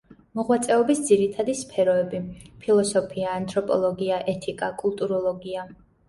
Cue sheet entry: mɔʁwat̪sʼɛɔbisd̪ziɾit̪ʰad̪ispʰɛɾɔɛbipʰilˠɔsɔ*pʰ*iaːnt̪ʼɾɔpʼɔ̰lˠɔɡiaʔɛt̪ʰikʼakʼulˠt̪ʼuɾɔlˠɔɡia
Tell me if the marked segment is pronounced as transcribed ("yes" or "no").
yes